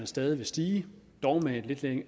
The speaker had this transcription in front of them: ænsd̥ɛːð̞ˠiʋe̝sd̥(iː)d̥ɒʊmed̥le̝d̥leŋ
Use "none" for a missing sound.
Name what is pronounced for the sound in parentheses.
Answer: iː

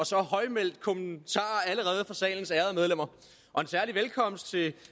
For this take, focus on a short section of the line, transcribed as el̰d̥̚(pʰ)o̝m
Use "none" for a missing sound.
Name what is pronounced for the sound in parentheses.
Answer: kʰ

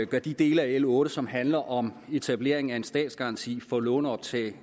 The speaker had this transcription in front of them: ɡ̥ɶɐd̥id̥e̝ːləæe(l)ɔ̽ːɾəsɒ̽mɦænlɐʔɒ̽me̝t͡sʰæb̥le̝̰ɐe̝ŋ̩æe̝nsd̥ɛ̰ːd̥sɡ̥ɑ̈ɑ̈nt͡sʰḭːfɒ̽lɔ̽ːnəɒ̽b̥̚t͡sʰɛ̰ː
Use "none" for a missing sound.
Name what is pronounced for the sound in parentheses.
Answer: l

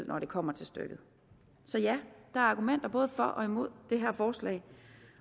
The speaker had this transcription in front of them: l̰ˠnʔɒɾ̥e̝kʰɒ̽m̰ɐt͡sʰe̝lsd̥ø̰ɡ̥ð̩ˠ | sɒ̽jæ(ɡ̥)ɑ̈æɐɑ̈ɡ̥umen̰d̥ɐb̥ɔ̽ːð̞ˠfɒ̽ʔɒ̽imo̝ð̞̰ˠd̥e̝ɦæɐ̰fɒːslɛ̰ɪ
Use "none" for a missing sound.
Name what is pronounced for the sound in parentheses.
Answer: d̥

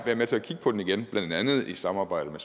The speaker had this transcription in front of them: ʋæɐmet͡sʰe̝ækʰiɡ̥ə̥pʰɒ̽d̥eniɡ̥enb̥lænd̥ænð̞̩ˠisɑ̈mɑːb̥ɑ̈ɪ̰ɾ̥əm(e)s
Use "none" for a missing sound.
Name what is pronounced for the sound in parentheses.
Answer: e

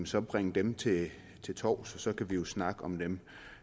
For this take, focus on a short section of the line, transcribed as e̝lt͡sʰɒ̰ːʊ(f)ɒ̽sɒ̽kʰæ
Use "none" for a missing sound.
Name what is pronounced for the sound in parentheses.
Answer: s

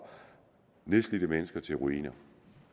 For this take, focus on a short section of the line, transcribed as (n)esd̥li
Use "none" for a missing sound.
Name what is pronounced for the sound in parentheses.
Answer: n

